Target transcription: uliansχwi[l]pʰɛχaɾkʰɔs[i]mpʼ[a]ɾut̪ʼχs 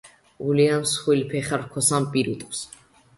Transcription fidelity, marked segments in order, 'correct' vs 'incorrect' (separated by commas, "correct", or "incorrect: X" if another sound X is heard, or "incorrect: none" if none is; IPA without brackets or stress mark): correct, incorrect: a, incorrect: i